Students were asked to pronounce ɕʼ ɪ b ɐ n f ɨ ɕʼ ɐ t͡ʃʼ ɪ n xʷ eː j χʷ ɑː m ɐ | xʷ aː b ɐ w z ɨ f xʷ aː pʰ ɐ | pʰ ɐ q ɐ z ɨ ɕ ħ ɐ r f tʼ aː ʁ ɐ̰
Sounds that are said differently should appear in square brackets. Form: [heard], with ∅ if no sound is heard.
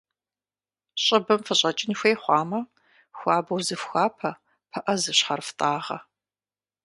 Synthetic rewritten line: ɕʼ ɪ b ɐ [m] f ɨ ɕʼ ɐ t͡ʃʼ ɪ n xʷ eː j χʷ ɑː m ɐ | xʷ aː b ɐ w z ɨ f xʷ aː pʰ ɐ | pʰ ɐ [ʔ] ɐ z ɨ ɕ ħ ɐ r f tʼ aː ʁ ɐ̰